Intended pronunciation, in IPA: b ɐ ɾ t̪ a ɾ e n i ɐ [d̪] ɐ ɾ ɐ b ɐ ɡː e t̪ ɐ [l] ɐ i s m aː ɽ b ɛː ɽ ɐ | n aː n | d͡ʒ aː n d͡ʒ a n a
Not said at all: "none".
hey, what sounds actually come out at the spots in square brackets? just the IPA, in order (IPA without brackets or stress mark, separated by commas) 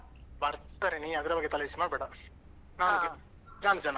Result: d̪, l